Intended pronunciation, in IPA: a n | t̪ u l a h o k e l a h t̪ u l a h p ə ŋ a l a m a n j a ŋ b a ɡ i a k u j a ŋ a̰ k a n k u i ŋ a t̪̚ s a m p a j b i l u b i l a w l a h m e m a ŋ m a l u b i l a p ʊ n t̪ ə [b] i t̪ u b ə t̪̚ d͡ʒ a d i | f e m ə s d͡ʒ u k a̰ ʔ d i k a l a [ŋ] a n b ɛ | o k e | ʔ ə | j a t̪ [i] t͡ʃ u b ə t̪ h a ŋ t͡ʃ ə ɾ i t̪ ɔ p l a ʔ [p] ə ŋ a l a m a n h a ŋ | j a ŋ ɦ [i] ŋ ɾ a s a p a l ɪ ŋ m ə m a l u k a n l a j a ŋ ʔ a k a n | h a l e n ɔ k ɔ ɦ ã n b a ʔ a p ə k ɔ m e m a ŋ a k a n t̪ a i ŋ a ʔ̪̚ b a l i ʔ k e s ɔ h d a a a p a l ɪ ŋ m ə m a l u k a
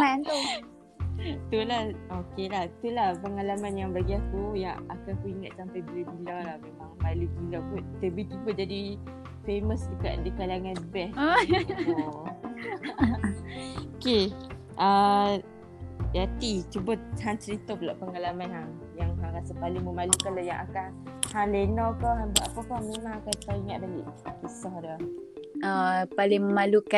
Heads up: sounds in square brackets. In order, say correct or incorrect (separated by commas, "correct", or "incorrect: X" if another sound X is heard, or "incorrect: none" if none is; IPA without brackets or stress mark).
correct, correct, correct, correct, incorrect: a